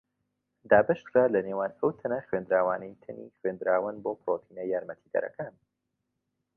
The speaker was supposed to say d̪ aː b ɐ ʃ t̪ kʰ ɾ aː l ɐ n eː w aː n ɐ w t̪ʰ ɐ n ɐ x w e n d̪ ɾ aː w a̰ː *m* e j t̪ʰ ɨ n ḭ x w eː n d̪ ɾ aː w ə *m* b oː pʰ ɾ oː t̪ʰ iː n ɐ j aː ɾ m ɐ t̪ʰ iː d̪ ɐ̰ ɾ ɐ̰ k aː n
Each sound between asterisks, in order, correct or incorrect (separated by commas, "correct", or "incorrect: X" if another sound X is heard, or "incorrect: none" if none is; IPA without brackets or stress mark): incorrect: n, incorrect: n